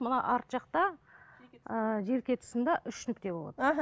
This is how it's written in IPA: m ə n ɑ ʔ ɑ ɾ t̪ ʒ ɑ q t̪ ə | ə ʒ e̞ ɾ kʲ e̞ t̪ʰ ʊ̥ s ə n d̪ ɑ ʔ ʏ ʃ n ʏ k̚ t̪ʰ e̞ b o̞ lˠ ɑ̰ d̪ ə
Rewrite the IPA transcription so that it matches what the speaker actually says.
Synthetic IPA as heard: m ə n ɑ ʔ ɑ ɾ t̪ ʒ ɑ q t̪ ɑ | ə ʒ e̞ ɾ kʲ e̞ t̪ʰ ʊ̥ s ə n d̪ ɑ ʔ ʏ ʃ n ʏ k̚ t̪ e̞ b o̞ lˠ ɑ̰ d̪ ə

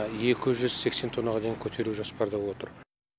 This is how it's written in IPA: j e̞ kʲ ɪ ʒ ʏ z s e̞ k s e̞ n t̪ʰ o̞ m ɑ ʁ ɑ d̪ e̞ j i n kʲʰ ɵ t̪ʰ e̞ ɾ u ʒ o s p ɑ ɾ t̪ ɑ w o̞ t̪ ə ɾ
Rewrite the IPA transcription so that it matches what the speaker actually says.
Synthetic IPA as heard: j e̞ kʲ ɪ ʒ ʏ z s e̞ k s e̞ n t̪ʰ o̞ n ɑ ʁ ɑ d̪ e̞ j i ŋ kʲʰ ɵ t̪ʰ e̞ ɾ u ʒ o s p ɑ ɾ d̪ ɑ w o̞ t̪ ə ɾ

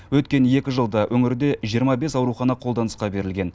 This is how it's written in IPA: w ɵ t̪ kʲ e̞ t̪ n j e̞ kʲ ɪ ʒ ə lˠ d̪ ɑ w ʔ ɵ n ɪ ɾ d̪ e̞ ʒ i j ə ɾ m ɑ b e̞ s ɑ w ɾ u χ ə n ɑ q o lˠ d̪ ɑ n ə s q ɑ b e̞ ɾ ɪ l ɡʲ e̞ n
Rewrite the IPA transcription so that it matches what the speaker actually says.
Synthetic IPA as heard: w ɵ t̪ kʲ e̞ n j e̞ kʲ ɪ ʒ ə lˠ d̪ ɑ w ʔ ɵ ŋ ɪ ɾ d̪ e̞ ʒ i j ə ɾ m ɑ b e̞ s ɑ w ɾ u χ ɑ n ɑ qʰ o lˠ d̪ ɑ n ə s q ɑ b e̞ ɾ ɪ l ɡʲ e̞ n

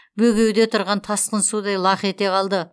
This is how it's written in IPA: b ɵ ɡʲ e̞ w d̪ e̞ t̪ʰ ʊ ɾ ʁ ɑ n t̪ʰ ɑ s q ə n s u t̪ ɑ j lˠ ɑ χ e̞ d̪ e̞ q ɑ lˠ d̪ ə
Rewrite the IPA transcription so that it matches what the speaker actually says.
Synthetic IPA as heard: b ɵ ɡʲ e̞ w d̪ e̞ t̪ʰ ʊ ɾ ʁ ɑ n t̪ʰ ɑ s q ə n s u d̪ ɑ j lˠ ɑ χ e̞ t̪ e̞ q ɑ lˠ d̪ ə

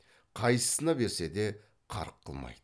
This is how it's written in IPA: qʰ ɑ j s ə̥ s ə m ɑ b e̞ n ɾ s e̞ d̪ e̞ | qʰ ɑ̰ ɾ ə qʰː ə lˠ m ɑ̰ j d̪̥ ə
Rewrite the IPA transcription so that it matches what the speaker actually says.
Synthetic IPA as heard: qʰ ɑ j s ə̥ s ə n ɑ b e̞ ɾ s e̞ d̪ e̞ | qʰ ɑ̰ ɾ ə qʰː ə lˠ m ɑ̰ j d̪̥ ə

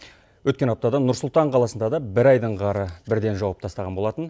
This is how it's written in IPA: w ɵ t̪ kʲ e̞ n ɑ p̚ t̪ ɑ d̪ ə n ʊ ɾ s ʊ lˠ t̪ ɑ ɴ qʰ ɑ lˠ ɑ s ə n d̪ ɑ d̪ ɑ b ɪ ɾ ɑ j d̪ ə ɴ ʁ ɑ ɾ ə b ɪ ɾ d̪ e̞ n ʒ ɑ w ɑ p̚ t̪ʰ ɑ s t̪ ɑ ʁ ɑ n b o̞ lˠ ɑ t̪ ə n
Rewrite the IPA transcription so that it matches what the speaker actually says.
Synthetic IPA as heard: w ɵ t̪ kʲ e̞ n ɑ p̚ t̪ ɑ d̪ ɑ n ʊ ɾ s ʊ lˠ t̪ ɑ ɴ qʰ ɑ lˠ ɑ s ə n d̪ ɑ d̪ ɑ b ɪ ɾ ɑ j d̪ ə ɴ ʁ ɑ ɾ ə b ɪ ɾ d̪ e̞ n ʒ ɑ w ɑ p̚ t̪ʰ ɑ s t̪ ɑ ʁ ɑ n b o̞ lˠ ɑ t̪ ə n

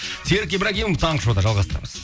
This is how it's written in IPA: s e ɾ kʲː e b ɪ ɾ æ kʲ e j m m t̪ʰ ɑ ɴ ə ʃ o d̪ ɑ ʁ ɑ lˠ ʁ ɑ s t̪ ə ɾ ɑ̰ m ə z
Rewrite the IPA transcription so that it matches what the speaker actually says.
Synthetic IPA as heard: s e ɾ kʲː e b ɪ ɾ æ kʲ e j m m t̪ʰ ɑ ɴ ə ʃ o d̪ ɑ ʒ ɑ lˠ ʁ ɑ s t̪ ə ɾ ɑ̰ m ə z

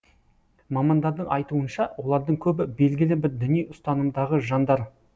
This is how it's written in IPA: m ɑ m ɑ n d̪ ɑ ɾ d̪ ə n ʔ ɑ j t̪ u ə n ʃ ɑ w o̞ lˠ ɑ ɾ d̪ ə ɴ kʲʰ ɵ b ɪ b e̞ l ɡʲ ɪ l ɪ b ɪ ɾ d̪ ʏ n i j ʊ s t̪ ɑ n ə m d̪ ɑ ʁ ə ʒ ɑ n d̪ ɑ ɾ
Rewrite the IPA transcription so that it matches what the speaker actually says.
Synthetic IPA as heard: m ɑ m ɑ n d̪ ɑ ɾ d̪ ə ɴ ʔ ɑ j t̪ u ə n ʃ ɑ w o̞ lˠ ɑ ɾ d̪ ə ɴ kʲʰ ɵ b ɪ b e̞ l ɡʲ ɪ l ɪ b ɪ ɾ d̪ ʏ n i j ʊ s t̪ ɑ n ə m d̪ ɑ ʁ ə ʒ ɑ n d̪ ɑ ɾ

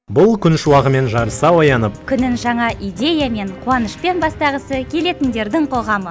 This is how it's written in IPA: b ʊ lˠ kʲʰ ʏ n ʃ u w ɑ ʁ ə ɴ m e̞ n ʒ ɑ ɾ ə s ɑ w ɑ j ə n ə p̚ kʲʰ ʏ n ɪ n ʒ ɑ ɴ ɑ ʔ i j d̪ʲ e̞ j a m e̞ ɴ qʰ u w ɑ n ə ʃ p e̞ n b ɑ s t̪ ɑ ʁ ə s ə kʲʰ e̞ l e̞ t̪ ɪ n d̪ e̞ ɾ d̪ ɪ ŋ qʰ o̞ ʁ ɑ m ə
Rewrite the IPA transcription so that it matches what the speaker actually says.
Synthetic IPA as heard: b ʊ lˠ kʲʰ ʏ n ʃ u w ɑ ʁ ə m e̞ n ʒ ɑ ɾ ə s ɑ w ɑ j ɑ n ə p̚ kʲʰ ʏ n ɪ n ʒ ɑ ɴ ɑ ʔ i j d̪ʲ e̞ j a m e̞ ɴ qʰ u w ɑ n ə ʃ p e̞ n b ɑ s t̪ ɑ ʁ ə s ə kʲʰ e̞ l e̞ t̪ ɪ n d̪ e̞ ɾ d̪ ɪ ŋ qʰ o̞ ʁ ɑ m ə

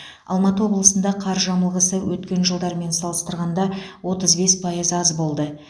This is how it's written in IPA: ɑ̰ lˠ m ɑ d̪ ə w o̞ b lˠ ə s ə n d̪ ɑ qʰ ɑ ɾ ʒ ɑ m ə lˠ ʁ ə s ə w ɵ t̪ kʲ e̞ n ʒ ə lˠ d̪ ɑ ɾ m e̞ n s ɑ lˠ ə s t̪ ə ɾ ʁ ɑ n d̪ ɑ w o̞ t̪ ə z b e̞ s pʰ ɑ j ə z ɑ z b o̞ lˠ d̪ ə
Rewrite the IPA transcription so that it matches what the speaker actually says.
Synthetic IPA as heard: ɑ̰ lˠ m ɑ t̪ ə w o̞ b lˠ ə s ə n d̪ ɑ qʰ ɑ ɾ ʒ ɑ m ə lˠ ʁ ə s ə w ɵ t̪ kʲ e̞ n ʒ ə lˠ d̪ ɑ ɾ m e̞ n s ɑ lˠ ə s t̪ ə ɾ ʁ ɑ n d̪ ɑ w o̞ t̪ ə z b e̞ s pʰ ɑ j ə z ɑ z b o̞ lˠ d̪ ə

